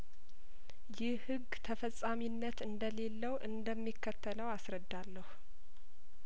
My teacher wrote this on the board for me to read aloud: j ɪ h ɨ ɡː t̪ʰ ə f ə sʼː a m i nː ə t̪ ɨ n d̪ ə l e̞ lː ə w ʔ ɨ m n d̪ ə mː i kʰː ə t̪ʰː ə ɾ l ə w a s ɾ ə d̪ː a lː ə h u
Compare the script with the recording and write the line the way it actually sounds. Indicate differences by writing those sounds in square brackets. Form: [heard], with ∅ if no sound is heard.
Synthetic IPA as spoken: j ɪ h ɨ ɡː t̪ʰ ə f ə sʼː a m i nː ə t̪ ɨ n d̪ ə l e̞ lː ə w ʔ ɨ [∅] n d̪ ə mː i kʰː ə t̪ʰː ə [∅] l ə w a s ɾ ə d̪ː a lː ə h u